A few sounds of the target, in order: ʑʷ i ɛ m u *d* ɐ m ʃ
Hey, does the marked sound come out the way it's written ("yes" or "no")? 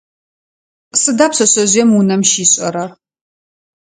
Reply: no